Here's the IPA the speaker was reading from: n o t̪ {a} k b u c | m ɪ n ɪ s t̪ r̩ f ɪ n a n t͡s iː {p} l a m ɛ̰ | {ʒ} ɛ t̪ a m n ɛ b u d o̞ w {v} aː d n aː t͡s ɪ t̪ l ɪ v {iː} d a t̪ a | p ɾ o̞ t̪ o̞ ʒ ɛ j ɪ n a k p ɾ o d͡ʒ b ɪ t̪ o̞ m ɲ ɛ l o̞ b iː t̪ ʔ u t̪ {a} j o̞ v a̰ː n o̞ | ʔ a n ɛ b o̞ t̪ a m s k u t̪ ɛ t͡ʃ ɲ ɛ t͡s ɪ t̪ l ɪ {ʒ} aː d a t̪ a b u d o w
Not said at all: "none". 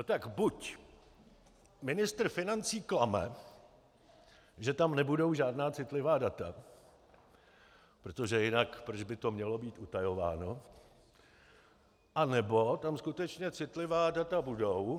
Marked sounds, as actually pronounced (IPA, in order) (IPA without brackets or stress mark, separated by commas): a, k, ʒ, ʒ, aː, a, v